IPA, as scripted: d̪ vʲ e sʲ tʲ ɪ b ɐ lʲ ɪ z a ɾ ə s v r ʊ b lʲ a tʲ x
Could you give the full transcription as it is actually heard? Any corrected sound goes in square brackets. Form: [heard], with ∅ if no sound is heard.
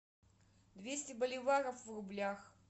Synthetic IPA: d̪ vʲ e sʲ tʲ ɪ b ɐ lʲ ɪ [v] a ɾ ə [f] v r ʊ b lʲ a [∅] x